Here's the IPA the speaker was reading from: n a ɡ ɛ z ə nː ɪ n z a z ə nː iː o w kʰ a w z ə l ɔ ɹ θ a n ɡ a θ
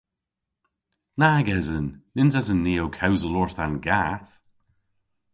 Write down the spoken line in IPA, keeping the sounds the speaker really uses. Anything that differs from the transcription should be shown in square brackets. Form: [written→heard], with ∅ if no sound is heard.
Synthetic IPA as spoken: n a ɡ ɛ z ə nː ɪ n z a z ə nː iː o w kʰ a w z ə l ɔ ɹ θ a n ɡ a θ